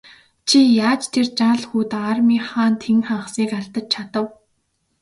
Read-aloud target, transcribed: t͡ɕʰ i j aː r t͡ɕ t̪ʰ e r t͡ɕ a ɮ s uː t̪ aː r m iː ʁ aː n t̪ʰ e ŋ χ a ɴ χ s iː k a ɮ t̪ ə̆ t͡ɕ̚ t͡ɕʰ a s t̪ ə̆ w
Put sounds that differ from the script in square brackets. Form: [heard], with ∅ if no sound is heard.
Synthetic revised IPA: t͡ɕʰ i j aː [∅] t͡ɕ t̪ʰ e r t͡ɕ a ɮ [x] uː t̪ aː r m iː [χ] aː n t̪ʰ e ŋ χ a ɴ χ s iː k a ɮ t̪ ə̆ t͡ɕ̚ t͡ɕʰ a [∅] t̪ ə̆ w